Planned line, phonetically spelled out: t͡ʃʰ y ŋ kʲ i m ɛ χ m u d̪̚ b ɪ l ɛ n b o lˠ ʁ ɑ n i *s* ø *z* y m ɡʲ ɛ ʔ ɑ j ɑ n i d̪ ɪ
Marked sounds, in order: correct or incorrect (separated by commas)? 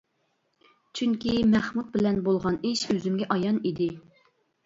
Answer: incorrect, correct